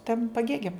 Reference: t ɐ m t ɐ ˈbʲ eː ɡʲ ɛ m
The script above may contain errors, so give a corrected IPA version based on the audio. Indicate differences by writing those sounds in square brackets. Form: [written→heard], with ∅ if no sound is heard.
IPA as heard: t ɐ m [t→p] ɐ [ˈbʲ→ˈɡʲ] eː ɡʲ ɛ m